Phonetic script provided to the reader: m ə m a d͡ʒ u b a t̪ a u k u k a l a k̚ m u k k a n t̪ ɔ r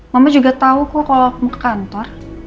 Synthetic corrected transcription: m a m a d͡ʒ u ɡ a t̪ a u k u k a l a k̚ m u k k a n t̪ ɔ r